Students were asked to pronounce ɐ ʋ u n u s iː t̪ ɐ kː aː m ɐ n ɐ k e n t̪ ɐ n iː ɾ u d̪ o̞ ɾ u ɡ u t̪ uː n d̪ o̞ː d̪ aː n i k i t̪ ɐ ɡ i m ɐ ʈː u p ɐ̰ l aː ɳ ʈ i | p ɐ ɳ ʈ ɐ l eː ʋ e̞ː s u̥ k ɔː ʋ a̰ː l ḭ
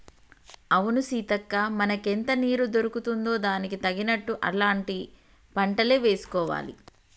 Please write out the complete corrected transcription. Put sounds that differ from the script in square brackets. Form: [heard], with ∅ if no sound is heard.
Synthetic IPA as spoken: ɐ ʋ u n u s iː t̪ ɐ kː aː m ɐ n ɐ k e n t̪ ɐ n iː ɾ u d̪ o̞ ɾ u [k] u t̪ [u] n d̪ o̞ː d̪ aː n i k i t̪ ɐ ɡ i [n] ɐ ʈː u [ʔ] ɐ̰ l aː ɳ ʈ i | p ɐ ɳ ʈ ɐ l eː ʋ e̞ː s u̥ k ɔː ʋ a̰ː l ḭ